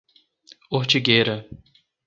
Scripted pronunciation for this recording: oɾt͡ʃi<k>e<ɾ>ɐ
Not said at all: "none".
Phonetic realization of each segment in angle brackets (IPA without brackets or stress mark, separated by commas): ɡ, ɾ